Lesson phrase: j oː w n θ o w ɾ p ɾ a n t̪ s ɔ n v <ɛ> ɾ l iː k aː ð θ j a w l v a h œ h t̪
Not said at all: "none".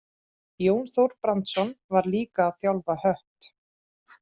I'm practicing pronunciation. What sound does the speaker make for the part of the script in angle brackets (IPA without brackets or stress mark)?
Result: a